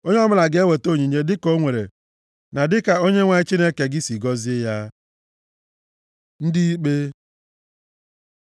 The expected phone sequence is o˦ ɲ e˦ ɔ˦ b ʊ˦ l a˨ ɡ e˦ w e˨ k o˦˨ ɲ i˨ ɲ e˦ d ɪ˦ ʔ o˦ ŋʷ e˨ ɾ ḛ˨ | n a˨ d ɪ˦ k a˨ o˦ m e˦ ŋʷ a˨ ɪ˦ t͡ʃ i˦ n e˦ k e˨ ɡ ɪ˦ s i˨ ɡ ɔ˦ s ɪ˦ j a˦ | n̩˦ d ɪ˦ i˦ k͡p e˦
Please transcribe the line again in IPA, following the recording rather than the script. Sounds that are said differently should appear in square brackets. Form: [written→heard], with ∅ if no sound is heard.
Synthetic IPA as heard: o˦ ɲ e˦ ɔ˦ [b→m] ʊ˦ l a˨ ɡ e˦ w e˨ [k→t] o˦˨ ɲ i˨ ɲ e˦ d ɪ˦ [ʔ→k] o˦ ŋʷ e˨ ɾ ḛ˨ | n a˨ d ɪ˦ k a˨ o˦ [m→ɲ] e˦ ŋʷ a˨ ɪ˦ t͡ʃ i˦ n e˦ k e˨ ɡ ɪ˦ s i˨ ɡ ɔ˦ [s→z] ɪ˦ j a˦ | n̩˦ d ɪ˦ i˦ k͡p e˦